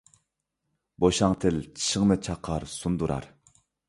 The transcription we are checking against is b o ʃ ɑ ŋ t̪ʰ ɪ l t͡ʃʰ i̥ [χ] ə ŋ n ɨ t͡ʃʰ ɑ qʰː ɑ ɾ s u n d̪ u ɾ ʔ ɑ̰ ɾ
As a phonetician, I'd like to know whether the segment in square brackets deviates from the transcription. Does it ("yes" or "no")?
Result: yes